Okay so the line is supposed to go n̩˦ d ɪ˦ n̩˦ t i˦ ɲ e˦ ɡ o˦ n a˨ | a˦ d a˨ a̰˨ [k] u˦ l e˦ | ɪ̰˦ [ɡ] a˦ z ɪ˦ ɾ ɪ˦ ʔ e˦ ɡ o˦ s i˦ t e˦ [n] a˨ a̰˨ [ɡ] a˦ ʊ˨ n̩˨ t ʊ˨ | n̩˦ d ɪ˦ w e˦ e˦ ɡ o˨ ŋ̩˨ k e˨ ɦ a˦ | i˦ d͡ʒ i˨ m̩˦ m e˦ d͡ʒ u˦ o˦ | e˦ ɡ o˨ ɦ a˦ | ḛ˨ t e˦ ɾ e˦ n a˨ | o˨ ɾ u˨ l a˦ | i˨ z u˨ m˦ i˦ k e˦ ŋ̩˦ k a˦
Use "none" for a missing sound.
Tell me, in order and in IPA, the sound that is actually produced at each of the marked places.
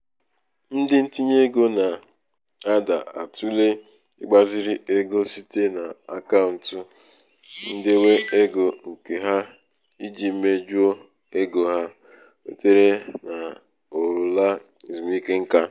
t, ɡ͡b, n, k

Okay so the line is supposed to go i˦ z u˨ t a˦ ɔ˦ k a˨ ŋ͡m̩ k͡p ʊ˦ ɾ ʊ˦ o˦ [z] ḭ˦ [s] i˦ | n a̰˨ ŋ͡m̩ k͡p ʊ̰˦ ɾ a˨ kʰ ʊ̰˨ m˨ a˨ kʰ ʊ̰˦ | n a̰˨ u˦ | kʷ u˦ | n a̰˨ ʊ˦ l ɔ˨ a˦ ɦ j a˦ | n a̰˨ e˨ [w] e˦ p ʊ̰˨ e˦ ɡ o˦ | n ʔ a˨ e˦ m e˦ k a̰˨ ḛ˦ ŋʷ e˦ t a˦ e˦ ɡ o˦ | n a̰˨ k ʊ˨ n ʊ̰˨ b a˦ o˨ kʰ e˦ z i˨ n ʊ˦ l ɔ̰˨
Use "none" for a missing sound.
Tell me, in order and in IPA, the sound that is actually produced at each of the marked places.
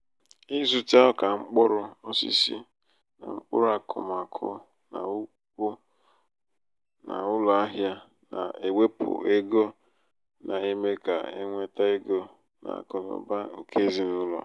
s, s, w

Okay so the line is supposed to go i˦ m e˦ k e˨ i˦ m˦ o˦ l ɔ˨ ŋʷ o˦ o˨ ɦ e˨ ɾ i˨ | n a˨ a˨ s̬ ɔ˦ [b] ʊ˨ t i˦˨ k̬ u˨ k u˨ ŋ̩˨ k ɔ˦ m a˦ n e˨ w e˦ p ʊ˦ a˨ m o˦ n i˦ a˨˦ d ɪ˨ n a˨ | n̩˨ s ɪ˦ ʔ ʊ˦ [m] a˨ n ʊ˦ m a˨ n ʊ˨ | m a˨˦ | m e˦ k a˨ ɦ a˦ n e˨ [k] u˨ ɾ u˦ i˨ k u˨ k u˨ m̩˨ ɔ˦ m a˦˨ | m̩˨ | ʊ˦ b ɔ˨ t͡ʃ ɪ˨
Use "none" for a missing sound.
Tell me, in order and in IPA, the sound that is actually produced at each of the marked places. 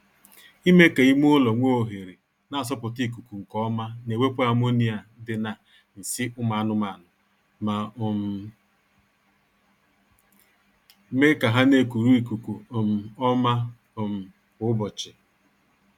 p, m, k

